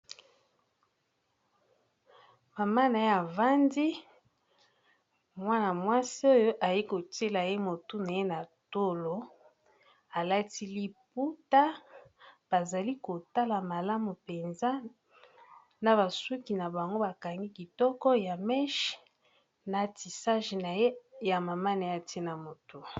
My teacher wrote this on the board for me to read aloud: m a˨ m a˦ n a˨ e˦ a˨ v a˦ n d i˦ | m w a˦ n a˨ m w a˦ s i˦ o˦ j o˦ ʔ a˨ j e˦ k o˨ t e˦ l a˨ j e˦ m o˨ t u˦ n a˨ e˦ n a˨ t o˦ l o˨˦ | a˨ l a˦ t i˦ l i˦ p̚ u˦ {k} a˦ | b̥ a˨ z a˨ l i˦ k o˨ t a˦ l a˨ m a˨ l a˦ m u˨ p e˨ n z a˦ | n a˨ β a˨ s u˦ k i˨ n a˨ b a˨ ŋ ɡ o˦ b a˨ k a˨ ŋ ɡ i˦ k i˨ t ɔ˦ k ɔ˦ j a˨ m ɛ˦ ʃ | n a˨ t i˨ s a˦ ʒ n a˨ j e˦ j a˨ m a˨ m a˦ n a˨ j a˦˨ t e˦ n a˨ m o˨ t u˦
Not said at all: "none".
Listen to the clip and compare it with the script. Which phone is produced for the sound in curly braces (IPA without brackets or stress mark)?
t